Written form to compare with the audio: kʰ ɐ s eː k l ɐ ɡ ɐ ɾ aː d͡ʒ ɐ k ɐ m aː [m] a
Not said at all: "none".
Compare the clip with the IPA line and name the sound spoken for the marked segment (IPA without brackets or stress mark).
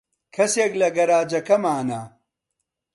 n